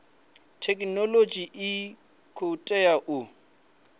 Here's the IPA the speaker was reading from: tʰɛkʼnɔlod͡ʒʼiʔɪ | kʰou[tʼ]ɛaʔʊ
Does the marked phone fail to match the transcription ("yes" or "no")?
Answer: no